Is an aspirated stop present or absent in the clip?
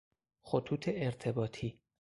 present